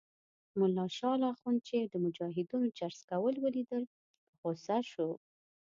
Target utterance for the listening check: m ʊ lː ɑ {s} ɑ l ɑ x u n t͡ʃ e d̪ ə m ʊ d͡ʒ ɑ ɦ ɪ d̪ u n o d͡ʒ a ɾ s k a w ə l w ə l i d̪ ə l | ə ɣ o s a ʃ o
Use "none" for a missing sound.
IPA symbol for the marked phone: ʃ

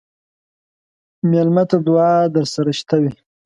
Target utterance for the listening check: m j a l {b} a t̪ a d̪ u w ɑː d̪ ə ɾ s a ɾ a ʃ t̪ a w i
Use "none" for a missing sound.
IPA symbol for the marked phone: m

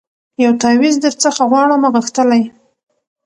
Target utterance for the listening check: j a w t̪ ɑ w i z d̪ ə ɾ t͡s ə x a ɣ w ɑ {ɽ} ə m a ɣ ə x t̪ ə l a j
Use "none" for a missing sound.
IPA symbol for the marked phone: ɽ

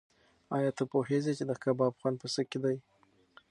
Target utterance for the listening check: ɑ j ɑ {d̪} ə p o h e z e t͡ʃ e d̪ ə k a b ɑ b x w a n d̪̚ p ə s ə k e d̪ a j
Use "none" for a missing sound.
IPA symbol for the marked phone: t̪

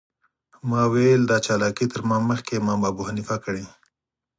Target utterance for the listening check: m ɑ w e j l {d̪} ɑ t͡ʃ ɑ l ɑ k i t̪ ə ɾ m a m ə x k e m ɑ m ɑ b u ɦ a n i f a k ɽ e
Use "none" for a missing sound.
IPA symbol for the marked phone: d̪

